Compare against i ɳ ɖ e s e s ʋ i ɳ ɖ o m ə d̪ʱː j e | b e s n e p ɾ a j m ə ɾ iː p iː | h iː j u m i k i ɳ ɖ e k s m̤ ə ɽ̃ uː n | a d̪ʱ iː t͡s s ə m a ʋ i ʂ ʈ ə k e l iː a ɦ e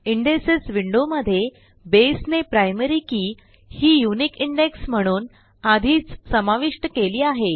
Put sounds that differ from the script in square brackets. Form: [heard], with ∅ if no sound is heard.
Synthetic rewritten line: i ɳ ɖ e s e s ʋ i ɳ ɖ o m ə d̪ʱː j e | b e s n e p ɾ a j m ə ɾ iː [k] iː | h iː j u [n] i k i ɳ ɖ e k s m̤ ə ɽ̃ uː n | a d̪ʱ iː t͡s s ə m a ʋ i ʂ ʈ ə k e l iː a ɦ e